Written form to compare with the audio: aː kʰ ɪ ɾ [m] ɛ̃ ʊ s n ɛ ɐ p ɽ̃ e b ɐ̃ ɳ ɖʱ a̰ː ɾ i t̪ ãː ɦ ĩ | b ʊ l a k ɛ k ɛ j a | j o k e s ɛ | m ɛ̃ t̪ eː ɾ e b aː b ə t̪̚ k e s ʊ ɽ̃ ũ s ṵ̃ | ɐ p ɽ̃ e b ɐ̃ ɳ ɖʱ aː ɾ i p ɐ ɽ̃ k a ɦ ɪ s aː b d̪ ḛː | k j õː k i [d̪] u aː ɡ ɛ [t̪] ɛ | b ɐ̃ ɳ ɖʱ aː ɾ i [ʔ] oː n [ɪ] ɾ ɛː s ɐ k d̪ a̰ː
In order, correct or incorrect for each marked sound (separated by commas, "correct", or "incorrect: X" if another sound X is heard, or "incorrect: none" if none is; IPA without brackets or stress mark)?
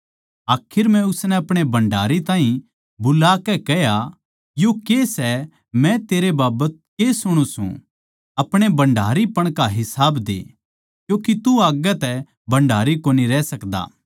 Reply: correct, incorrect: t̪, correct, incorrect: k, incorrect: i